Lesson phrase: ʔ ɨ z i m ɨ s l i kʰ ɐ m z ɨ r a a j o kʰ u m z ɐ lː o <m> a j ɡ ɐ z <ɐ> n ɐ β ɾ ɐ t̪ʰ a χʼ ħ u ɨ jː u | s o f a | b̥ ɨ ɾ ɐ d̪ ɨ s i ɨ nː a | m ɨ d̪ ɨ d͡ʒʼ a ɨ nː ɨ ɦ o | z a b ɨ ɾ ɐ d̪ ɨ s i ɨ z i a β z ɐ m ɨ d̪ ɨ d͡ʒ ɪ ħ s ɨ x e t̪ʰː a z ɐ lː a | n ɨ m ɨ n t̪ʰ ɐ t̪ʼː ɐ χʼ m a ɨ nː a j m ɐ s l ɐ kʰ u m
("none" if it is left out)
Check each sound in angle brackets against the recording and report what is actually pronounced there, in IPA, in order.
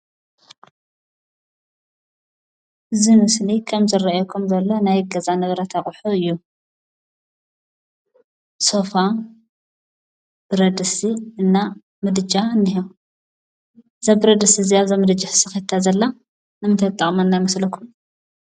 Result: n, a

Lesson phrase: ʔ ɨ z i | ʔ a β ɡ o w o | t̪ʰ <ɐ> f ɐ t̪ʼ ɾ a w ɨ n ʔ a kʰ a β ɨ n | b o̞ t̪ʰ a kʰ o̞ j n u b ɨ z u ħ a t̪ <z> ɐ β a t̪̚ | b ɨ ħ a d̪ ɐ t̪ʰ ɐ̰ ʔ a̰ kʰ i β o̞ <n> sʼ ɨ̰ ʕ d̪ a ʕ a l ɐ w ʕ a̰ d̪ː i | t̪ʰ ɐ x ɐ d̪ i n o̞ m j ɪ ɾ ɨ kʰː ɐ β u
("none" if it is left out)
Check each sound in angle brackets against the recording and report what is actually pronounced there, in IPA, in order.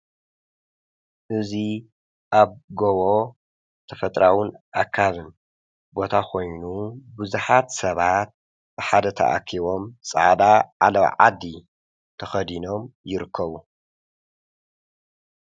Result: ɐ, s, m

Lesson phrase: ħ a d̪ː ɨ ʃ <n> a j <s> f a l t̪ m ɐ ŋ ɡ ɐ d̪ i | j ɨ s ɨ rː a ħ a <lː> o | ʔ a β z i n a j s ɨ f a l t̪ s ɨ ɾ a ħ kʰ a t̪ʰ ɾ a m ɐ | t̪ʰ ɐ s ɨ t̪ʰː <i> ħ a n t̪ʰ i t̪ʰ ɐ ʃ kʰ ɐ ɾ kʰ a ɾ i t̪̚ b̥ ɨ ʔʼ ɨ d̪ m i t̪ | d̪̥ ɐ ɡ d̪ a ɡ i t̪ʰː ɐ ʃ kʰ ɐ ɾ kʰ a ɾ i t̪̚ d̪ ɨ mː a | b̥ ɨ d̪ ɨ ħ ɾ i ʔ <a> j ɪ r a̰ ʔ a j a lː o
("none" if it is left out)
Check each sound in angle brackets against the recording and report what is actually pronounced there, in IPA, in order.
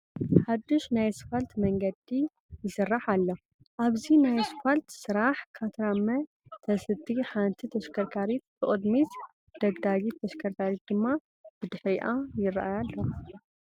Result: n, s, lː, i, a

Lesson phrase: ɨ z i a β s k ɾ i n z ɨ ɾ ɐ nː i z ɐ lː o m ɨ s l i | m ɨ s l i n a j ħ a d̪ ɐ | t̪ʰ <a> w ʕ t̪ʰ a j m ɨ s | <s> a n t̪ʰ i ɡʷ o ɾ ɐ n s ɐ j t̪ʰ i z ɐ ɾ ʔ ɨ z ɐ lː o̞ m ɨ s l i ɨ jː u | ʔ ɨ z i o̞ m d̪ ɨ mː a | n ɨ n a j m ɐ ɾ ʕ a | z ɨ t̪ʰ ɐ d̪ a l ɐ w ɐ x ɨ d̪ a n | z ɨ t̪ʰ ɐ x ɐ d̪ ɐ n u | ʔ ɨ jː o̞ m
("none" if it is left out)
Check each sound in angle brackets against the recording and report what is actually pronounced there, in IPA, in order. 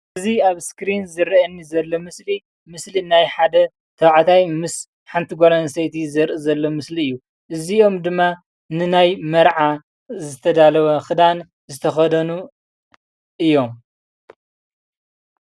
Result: ɐ, ħ

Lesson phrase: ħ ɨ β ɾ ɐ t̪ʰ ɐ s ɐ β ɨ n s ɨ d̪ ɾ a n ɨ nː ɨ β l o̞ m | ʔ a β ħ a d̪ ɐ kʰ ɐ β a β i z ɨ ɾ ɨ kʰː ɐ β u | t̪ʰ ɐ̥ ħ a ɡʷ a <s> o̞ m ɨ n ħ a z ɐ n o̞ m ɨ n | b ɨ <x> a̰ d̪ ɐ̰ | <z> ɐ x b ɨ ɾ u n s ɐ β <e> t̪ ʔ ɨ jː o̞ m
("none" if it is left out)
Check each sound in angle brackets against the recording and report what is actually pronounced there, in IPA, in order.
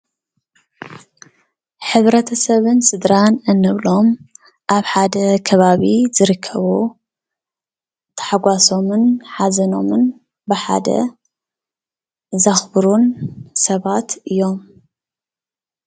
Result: s, ħ, z, a

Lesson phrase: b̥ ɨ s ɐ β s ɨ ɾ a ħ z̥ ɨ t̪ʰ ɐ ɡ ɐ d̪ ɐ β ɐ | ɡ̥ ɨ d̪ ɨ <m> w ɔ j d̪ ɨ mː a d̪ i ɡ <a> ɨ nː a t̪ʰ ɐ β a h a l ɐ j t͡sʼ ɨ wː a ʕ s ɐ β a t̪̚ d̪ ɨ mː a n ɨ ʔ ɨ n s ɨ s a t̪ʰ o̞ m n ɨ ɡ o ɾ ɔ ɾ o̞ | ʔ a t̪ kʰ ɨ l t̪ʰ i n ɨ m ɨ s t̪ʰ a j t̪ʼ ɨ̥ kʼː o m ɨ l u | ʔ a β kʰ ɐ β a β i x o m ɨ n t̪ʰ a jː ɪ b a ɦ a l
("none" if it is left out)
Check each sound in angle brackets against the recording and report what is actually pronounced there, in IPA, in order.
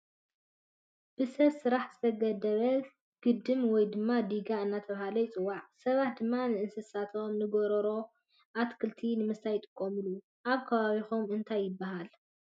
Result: m, a

